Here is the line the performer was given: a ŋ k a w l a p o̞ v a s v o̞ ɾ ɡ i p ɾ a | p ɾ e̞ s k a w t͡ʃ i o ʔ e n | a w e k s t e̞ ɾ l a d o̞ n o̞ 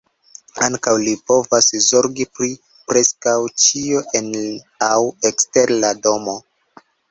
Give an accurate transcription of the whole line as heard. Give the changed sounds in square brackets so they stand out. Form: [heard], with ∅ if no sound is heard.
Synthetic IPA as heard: a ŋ k a w l [i] p o̞ v a s [z] o̞ ɾ ɡ i p ɾ [i] | p ɾ e̞ s k a w t͡ʃ i o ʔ e n | a w e k s t e̞ ɾ l a d o̞ [m] o̞